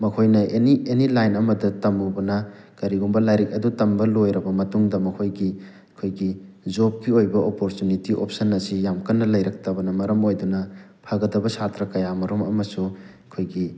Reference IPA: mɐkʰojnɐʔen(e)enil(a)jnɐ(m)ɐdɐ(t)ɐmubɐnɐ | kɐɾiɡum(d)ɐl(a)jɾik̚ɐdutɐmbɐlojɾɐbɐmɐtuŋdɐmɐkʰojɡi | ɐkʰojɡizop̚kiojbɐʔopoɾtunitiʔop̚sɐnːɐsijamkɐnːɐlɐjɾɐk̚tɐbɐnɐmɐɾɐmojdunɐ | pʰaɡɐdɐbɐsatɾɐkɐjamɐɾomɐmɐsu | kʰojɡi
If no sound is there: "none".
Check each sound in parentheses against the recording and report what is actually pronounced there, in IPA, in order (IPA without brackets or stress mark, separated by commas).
i, a, m, t, b, a